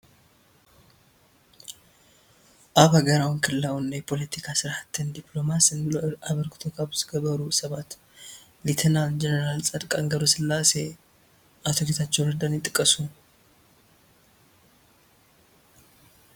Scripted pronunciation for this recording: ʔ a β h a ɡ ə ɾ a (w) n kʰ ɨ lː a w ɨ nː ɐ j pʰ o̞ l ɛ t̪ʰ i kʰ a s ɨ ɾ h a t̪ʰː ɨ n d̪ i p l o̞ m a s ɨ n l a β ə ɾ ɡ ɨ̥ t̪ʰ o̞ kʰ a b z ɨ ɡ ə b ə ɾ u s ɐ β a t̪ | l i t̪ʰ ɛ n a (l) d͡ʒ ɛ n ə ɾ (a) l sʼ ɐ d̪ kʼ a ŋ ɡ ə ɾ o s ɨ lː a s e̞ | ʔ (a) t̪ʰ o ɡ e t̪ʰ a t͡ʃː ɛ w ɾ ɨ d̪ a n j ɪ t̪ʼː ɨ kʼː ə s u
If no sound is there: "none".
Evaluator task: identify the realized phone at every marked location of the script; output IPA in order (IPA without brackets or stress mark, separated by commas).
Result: w, l, a, a